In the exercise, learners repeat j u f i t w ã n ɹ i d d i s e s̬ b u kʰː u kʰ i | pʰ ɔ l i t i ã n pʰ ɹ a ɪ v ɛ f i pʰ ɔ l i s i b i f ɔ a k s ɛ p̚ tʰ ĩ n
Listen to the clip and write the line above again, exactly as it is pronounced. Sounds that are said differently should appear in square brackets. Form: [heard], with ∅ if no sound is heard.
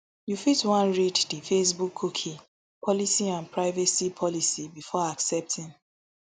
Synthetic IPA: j u f i t w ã n ɹ i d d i [f] e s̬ b u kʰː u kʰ i | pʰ ɔ l i [s] i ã n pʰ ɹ a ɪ v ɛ [s] i pʰ ɔ l i s i b i f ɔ a k s ɛ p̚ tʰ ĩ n

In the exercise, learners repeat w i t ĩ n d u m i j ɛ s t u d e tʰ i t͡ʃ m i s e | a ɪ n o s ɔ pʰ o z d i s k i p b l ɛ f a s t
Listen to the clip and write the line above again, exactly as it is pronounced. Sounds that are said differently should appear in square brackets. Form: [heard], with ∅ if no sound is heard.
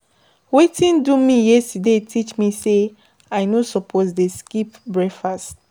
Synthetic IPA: w [e] t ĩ n d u m i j ɛ s t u d e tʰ i t͡ʃ m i s e | a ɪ n o s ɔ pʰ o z d [e] s k i p b [ɹ] ɛ f a s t

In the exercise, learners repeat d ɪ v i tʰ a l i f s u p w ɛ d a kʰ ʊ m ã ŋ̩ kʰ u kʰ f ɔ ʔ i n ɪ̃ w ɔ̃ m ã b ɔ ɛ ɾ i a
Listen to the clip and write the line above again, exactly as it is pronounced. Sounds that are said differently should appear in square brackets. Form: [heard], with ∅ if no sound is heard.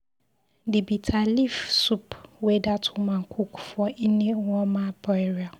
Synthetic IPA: d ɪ [b] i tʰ a l i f s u p w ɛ d a [tʰ] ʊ m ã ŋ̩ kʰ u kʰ f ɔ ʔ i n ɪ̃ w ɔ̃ m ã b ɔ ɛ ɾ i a

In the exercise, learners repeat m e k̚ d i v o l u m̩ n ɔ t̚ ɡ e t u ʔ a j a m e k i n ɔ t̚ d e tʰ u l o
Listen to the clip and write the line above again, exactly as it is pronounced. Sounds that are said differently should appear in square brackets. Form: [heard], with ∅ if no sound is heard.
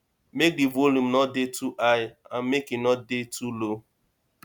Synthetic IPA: m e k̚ d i v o l u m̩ n ɔ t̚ [d] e t u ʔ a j a m e k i n ɔ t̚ d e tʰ u l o

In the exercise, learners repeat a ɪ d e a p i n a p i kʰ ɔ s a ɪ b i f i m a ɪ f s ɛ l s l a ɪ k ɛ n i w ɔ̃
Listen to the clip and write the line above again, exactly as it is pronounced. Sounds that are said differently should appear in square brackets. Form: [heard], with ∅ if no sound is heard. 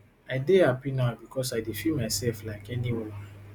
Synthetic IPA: a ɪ d e a p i n a [b] i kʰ ɔ s a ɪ [d] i f i m a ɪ [∅] s ɛ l [f] l a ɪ k ɛ n i w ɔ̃

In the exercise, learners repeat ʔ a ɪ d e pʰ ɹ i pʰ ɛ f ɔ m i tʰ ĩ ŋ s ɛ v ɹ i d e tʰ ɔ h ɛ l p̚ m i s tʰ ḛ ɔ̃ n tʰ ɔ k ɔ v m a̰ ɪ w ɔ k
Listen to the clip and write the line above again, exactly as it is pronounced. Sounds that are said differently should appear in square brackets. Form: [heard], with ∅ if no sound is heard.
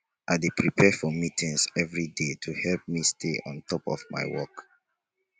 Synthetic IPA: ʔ a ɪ d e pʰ ɹ i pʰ ɛ f ɔ m i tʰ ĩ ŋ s ɛ v ɹ i d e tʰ [u] h ɛ l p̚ m i s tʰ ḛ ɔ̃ n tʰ ɔ [p] ɔ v m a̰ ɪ w ɔ k

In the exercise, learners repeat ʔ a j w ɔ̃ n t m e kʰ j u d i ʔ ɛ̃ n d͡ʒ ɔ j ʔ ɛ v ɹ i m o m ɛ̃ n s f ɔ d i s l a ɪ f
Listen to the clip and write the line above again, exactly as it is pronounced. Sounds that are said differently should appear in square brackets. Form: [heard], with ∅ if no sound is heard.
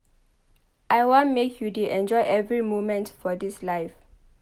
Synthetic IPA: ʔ a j w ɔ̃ n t m e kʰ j u d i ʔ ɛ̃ n d͡ʒ ɔ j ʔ ɛ v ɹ i m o m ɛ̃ n [t] f ɔ d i s l a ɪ f

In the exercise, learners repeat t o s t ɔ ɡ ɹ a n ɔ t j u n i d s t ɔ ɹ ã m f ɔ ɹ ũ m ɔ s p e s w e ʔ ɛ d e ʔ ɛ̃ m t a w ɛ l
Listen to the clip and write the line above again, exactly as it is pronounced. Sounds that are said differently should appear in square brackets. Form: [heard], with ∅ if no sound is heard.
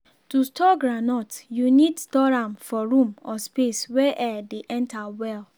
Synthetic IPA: t [u] s t ɔ ɡ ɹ a n ɔ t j u n i d s t ɔ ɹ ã m f ɔ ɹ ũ m ɔ s p e s w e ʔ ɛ d e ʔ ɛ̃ [n] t a w ɛ l

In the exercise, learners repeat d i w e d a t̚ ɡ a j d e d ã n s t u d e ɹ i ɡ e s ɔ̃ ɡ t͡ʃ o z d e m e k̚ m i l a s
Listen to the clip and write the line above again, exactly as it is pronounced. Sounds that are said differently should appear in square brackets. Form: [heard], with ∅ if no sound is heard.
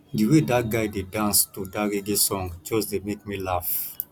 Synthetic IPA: d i w e d a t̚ ɡ a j d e d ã n s t u d [a] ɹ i ɡ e s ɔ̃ [ŋ] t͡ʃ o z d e m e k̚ m i l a [f]

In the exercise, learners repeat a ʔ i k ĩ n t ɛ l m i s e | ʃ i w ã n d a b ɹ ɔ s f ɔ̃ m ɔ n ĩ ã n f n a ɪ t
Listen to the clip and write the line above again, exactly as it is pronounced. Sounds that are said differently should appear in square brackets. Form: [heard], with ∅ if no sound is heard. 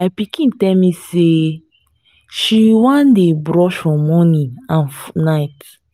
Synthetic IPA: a [p] i k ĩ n t ɛ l m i s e | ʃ i w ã n d [e] b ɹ ɔ [ʃ] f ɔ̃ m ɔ n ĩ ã n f n a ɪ t

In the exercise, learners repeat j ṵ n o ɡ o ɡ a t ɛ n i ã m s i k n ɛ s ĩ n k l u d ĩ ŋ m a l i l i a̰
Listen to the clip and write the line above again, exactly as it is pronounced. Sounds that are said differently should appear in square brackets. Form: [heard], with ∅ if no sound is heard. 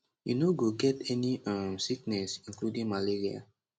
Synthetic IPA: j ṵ n o ɡ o ɡ [ɛ] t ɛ n i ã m s i k n ɛ s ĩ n k l u d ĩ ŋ m a l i [ɹ] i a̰

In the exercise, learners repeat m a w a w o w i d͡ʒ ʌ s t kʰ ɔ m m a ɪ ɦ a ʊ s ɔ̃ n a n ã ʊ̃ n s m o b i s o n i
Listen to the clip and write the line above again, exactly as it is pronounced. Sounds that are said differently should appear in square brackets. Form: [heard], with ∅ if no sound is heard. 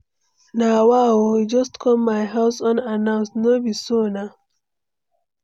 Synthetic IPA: [n] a w a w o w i d͡ʒ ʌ s t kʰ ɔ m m a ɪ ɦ a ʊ s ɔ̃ n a n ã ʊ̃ n s [n] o b i s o n [a]

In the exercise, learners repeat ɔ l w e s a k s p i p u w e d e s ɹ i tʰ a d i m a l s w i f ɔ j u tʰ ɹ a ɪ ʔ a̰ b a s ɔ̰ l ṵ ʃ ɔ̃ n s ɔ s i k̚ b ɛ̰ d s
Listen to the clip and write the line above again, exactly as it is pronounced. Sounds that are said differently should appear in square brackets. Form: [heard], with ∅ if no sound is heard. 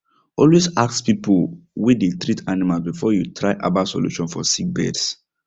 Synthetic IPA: ɔ l w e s a k s p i p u w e d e [t] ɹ i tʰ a [n] i m a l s [b] i f ɔ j u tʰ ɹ a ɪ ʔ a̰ b a s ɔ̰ l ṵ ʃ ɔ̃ n [f] ɔ s i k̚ b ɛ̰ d s

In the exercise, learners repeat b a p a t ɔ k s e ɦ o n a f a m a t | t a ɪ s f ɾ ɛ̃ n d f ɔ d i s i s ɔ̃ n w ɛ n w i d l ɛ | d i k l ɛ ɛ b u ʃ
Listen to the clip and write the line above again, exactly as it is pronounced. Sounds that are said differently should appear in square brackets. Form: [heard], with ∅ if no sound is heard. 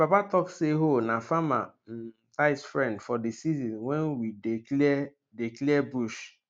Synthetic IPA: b a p a t ɔ k s e ɦ o n a f a m a [∅] | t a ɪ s f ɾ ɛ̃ n d f ɔ d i s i [z] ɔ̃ n w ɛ n w i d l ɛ | d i k l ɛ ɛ b u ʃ

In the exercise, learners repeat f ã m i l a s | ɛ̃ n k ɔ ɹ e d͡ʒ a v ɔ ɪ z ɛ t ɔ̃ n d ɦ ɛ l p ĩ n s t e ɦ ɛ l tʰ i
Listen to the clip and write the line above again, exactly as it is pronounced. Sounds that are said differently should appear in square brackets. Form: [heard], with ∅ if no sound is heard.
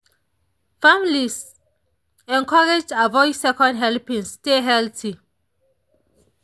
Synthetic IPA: f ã m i l [i] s | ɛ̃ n k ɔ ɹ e d͡ʒ a v ɔ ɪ [s] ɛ [k] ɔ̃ n d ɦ ɛ l p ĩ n s t e ɦ ɛ l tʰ i

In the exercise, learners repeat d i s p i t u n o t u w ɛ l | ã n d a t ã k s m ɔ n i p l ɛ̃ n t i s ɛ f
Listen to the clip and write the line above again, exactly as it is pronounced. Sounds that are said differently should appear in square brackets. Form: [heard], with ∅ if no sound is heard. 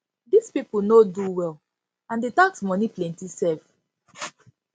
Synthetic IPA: d i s p i [p] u n o [d] u w ɛ l | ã n d [e] t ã k s m ɔ n i p l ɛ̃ n t i s ɛ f

